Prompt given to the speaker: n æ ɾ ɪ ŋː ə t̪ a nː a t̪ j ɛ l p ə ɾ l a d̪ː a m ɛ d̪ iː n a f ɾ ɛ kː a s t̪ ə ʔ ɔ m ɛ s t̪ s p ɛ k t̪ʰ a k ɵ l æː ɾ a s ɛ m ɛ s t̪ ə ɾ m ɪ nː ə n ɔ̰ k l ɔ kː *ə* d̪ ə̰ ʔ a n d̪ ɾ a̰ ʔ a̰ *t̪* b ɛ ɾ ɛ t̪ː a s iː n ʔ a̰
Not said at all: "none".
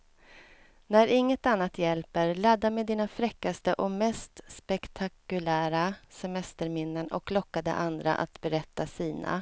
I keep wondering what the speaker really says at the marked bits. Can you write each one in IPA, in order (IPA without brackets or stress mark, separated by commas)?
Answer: a, t̪